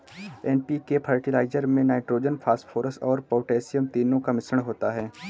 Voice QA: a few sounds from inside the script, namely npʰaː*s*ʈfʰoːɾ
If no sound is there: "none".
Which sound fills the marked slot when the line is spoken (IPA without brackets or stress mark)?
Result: s